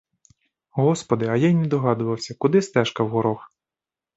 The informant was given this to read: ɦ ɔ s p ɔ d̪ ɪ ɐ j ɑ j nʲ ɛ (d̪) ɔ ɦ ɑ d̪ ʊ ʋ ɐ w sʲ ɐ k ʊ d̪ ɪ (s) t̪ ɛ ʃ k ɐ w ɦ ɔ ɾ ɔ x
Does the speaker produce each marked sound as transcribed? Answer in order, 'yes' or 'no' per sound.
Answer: yes, yes

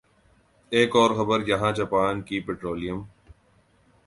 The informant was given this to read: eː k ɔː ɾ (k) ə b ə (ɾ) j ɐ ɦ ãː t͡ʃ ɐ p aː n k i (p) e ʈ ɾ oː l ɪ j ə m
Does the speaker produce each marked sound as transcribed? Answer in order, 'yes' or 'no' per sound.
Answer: no, yes, yes

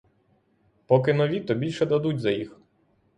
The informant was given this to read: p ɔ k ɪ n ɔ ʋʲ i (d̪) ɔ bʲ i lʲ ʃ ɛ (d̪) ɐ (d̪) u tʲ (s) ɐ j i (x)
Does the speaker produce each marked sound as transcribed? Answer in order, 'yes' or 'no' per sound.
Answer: no, yes, yes, no, yes

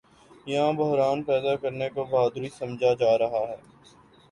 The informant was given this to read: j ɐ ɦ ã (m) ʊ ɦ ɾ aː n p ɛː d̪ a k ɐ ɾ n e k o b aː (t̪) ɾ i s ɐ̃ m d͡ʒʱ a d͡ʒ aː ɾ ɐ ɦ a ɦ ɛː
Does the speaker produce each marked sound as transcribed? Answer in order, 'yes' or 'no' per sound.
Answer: no, no

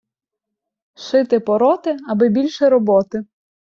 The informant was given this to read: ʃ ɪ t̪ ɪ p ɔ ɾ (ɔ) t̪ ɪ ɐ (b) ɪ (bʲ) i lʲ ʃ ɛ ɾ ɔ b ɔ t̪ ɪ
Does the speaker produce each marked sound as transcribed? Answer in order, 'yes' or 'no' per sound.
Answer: yes, yes, yes

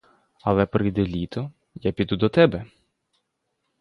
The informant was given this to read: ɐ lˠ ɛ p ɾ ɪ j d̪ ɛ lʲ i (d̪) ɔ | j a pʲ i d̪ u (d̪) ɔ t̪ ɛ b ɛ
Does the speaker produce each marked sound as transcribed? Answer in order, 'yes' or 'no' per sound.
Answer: no, yes

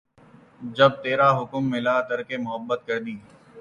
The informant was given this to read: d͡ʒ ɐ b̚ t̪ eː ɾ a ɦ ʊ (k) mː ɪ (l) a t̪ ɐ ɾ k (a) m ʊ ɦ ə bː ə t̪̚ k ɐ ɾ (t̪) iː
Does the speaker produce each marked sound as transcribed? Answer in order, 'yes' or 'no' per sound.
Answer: yes, yes, no, no

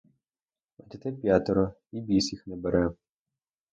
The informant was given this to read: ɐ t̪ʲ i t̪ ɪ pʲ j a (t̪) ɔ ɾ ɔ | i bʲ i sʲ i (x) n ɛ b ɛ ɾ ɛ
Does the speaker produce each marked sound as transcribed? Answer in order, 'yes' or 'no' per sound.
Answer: yes, yes

